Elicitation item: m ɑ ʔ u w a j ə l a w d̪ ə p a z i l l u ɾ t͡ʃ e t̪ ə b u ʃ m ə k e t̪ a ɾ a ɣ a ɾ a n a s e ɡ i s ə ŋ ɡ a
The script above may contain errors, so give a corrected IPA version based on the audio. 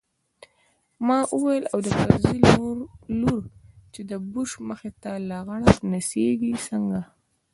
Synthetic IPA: m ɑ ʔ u w a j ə l a w d̪ ə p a z i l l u ɾ t͡ʃ e d̪ ə b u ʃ m ə x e t̪ a l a ɣ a ɽ a n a s e ɡ i s ə ŋ ɡ a